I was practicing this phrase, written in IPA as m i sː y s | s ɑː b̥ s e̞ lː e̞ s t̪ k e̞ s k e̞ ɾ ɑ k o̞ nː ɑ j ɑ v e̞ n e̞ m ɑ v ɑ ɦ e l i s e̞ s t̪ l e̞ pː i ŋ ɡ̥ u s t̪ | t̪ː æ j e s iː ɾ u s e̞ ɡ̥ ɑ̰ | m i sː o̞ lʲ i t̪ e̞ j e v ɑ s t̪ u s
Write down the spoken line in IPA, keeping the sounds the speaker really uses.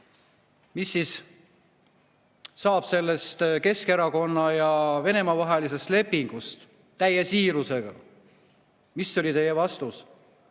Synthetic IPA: m i sː i s | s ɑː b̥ s e̞ lː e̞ s t̪ k e̞ s k e̞ ɾ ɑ k o̞ nː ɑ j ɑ v e̞ n e̞ m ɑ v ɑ ɦ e l i s e̞ s t̪ l e̞ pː i ŋ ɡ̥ u s t̪ | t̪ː æ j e s iː ɾ u s e̞ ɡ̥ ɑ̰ | m i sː o̞ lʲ i t̪ e̞ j e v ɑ s t̪ u s